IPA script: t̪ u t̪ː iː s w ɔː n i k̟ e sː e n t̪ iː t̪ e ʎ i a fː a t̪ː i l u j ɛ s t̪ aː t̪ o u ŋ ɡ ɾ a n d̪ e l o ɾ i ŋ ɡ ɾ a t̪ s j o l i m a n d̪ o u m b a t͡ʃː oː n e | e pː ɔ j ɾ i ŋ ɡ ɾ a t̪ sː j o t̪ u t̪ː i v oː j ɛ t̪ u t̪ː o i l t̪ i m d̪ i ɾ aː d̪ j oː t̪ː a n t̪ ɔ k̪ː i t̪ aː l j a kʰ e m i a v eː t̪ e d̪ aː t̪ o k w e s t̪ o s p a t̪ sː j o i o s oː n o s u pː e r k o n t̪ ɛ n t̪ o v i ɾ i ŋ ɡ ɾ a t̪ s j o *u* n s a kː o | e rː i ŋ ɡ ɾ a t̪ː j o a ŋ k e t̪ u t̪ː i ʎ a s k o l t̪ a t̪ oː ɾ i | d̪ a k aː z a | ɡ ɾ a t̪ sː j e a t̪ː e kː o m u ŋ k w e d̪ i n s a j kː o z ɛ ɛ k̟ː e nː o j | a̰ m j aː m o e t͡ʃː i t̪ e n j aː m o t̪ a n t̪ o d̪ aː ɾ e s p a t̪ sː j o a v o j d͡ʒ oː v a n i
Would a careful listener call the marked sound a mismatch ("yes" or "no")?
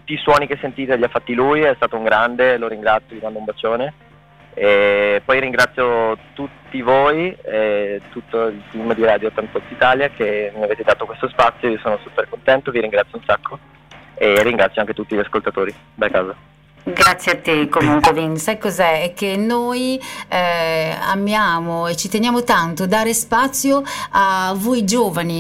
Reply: no